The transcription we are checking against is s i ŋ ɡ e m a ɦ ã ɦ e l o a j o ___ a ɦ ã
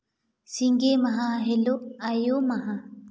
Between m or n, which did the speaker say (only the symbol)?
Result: m